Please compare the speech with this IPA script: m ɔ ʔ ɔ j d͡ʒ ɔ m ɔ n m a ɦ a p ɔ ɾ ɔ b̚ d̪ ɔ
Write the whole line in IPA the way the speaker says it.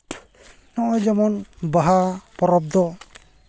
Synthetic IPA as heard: n ɔ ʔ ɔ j d͡ʒ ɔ m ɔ n b a ɦ a p ɔ ɾ ɔ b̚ d̪ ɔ